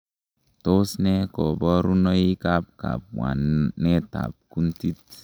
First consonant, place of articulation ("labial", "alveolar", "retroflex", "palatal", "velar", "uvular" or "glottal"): alveolar